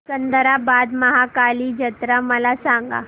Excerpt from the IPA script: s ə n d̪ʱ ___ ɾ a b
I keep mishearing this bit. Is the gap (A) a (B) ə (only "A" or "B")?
B